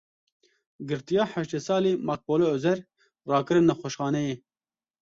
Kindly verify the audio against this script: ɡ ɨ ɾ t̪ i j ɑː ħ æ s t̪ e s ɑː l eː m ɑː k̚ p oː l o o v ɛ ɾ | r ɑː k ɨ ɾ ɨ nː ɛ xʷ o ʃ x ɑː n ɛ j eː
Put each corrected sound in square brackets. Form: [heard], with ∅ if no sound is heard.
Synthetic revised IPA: ɡ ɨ ɾ t̪ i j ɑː ħ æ [ʃ] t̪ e s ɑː l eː m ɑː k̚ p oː l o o [z] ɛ ɾ | r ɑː k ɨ ɾ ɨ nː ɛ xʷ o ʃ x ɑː n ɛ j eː